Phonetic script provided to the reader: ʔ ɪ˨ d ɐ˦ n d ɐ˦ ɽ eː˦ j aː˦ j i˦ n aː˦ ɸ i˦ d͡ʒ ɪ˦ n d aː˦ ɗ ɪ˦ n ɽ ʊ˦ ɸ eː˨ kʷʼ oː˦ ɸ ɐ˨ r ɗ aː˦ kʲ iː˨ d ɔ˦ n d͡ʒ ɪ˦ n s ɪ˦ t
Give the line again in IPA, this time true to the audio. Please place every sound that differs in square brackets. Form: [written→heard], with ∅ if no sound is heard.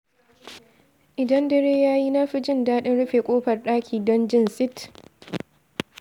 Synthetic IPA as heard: ʔ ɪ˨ d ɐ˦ n d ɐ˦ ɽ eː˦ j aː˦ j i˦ n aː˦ ɸ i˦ d͡ʒ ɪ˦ n d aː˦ ɗ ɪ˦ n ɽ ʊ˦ ɸ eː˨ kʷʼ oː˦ ɸ ɐ˨ r ɗ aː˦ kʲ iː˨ d ɔ˦ n d͡ʒ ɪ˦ n s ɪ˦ t